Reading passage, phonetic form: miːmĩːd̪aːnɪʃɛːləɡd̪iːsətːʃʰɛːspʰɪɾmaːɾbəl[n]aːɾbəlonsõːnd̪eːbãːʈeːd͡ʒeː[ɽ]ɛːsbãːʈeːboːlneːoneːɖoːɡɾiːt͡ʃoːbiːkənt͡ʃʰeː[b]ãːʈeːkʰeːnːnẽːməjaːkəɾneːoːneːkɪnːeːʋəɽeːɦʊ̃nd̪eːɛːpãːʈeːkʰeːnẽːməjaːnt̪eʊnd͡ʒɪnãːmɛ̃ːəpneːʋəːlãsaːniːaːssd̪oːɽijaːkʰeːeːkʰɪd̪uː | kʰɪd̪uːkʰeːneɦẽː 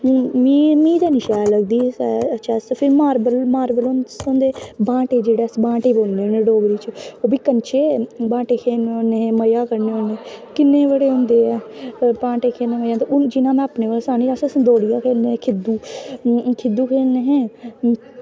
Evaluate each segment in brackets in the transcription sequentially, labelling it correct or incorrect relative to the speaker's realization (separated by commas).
incorrect, correct, correct